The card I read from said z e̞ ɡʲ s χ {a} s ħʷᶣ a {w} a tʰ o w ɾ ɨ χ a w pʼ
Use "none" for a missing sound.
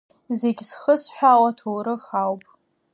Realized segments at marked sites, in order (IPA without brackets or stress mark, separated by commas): ə, w